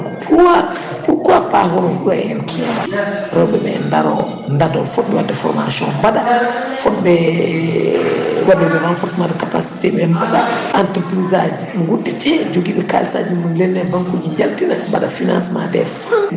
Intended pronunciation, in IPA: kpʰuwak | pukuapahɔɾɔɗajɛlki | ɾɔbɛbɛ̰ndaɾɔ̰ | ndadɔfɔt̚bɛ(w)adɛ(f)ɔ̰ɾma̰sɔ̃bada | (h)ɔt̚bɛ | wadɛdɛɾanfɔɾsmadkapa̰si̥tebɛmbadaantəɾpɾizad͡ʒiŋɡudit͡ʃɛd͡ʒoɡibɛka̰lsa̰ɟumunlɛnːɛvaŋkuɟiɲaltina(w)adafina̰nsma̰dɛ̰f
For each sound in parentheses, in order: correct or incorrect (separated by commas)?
correct, correct, incorrect, incorrect